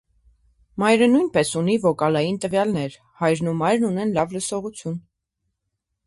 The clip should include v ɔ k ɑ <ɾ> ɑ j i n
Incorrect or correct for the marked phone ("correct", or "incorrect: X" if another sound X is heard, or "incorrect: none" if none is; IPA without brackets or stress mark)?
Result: incorrect: l